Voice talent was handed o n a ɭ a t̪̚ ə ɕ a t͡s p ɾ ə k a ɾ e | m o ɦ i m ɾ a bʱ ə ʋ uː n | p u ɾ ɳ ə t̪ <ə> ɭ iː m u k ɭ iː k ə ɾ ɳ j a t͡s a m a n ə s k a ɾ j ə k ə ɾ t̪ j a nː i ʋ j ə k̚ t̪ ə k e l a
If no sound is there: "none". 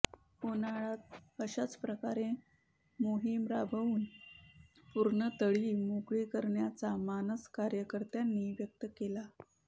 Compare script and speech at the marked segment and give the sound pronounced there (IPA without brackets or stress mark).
ə